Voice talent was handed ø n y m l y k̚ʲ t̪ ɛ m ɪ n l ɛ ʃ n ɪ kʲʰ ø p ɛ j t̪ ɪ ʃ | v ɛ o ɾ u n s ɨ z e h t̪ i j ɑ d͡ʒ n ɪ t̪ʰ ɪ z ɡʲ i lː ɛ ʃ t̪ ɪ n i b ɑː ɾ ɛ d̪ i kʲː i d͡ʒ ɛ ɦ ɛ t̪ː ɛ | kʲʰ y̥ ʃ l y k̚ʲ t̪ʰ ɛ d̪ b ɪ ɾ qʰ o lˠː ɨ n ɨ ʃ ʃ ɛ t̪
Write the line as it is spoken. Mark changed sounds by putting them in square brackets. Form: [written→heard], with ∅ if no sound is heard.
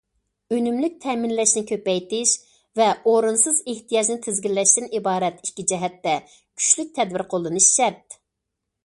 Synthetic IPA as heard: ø n y m l y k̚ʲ [t̪→t̪ʰ] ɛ m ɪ n l ɛ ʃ n ɪ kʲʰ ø p ɛ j t̪ ɪ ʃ | v ɛ o ɾ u n s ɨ z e h t̪ i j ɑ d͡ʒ n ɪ t̪ʰ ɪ z ɡʲ i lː ɛ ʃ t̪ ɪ n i b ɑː ɾ ɛ [d̪→t̪] i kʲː i d͡ʒ ɛ ɦ ɛ t̪ː ɛ | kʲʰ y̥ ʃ l y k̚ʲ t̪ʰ ɛ d̪ b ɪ ɾ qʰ o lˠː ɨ n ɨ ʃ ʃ ɛ t̪